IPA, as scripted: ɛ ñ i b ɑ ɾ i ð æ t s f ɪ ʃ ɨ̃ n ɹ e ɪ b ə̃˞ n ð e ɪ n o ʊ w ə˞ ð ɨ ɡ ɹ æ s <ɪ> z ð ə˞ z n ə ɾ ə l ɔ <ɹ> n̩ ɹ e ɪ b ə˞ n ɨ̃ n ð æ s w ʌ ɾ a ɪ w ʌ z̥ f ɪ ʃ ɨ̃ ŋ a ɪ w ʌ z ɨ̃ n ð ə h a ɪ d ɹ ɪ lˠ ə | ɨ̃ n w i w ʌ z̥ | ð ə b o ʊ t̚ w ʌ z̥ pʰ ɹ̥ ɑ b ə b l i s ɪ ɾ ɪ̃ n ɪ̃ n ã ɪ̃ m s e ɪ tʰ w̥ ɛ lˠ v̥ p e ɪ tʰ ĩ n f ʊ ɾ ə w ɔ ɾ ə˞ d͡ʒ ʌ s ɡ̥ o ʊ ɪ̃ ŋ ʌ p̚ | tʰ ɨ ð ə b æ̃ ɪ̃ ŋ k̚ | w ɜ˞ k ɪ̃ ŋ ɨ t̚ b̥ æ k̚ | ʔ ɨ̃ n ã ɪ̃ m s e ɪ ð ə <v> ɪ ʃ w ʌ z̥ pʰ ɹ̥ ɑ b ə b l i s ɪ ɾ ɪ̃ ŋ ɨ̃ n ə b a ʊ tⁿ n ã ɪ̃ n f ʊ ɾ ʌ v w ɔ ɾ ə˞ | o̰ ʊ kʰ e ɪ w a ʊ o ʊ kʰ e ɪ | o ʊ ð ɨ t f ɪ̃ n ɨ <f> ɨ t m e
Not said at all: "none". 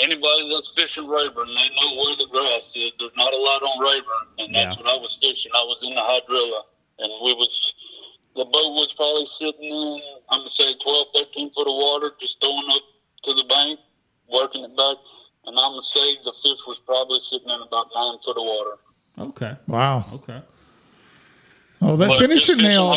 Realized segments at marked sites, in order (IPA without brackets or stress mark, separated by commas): ɪ, ɾ, f, ʃ